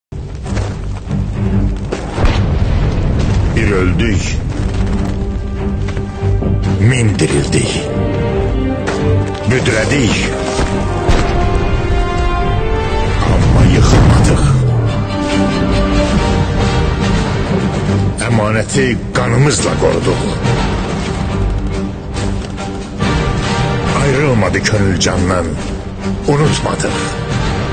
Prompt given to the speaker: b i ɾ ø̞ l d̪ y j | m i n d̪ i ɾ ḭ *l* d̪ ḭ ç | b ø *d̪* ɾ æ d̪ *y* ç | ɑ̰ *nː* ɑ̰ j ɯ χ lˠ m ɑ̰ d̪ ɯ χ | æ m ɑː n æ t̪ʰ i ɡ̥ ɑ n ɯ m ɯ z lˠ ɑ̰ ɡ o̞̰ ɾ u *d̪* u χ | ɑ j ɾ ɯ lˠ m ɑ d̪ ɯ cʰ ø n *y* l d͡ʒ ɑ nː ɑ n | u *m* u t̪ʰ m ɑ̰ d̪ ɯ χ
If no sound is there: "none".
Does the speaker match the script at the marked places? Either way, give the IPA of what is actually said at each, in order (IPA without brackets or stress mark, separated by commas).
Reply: l, d̪, i, mː, d̪, y, n